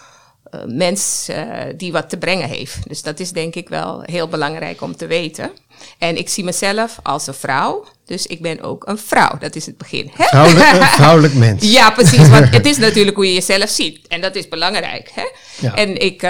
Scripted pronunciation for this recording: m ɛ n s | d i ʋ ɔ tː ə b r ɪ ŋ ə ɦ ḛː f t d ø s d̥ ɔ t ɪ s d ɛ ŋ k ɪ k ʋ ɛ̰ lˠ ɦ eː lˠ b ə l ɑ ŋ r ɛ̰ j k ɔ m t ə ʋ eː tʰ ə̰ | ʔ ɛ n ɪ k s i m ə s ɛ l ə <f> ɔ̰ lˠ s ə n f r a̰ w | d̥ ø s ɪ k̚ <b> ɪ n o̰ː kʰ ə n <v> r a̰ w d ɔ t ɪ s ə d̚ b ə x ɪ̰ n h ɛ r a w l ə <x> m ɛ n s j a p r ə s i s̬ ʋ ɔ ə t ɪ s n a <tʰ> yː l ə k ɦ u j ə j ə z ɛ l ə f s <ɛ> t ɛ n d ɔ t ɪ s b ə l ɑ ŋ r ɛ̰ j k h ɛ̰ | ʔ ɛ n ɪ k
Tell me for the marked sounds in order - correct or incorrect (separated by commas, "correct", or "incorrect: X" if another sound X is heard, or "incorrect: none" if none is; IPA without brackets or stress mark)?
correct, correct, incorrect: f, incorrect: k, incorrect: t, incorrect: i